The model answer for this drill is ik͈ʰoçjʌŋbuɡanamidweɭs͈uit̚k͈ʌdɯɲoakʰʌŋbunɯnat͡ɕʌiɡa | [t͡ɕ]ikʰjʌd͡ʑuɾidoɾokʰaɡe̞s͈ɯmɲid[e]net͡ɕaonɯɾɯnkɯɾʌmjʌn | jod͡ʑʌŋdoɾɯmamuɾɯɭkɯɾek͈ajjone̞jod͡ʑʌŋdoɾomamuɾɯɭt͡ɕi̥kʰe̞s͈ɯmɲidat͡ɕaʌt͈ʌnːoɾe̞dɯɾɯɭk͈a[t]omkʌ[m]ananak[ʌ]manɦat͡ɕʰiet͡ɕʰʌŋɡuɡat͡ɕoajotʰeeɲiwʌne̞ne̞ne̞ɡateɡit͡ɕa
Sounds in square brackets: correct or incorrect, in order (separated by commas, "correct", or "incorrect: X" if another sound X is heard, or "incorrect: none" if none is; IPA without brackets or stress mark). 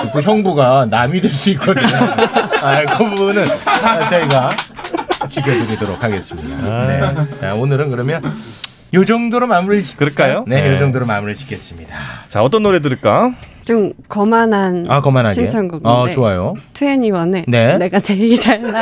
correct, incorrect: a, incorrect: t͡ɕ, correct, correct